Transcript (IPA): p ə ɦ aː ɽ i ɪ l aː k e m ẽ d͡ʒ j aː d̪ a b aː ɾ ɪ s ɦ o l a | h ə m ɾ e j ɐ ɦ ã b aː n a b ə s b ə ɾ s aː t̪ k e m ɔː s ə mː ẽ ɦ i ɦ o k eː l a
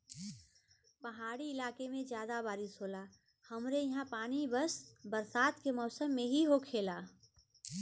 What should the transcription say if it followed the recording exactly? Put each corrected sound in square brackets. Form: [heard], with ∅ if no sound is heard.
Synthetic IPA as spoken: p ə ɦ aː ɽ i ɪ l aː k e m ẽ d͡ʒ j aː d̪ a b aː ɾ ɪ s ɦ o l a | h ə m ɾ e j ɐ ɦ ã [p] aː n [i] b ə s b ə ɾ s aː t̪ k e m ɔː s ə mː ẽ ɦ i ɦ o [kʰ] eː l a